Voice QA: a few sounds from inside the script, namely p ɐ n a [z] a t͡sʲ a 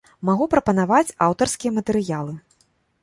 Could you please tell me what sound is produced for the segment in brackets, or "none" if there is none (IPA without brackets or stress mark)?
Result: v